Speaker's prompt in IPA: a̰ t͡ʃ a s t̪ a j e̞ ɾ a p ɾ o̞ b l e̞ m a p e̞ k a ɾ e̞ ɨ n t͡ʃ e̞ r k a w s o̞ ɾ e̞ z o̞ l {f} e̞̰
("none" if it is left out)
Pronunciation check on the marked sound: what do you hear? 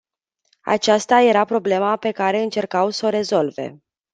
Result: v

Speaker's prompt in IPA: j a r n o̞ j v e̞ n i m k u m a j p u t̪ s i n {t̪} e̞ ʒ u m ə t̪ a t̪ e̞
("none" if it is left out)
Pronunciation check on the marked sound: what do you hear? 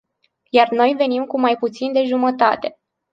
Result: d̪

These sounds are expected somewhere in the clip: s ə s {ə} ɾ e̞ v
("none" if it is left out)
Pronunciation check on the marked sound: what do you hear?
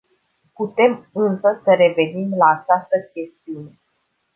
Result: ə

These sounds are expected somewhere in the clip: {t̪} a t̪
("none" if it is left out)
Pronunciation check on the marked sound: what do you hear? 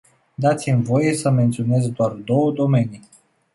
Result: d̪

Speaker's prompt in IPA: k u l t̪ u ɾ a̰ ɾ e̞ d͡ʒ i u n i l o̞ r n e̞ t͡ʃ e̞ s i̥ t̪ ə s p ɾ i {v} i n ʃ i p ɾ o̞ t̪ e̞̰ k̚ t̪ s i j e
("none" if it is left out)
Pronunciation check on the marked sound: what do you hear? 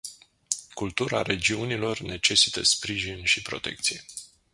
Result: ʒ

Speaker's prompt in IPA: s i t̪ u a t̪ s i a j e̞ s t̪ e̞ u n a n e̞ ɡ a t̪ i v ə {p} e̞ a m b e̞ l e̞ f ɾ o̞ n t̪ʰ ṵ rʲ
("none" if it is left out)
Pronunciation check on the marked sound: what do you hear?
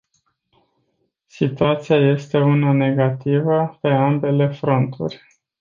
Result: p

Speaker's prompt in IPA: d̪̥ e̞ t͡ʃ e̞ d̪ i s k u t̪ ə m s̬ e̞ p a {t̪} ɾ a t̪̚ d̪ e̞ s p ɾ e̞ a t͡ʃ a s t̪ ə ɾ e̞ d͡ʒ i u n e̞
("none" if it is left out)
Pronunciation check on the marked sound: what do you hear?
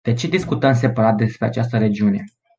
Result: none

